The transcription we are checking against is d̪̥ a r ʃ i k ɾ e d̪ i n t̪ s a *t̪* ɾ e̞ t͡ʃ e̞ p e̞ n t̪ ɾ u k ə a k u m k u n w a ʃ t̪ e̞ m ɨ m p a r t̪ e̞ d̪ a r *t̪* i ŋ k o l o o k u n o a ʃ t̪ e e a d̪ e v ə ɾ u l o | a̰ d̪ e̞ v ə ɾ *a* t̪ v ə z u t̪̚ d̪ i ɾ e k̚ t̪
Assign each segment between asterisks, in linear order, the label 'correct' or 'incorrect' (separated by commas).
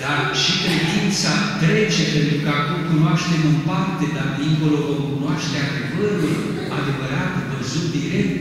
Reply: correct, incorrect, correct